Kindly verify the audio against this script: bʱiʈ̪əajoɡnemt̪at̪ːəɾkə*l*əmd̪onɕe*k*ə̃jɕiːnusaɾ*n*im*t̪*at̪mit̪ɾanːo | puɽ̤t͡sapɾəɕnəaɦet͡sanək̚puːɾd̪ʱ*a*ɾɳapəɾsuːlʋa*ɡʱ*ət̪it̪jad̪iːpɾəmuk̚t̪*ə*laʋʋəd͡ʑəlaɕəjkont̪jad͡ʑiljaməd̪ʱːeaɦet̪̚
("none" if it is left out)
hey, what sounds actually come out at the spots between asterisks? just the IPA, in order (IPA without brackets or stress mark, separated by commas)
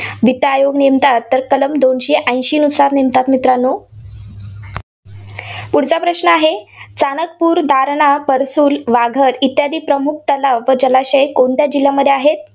l, ʔ, n, t̪, a, ɡʱ, ə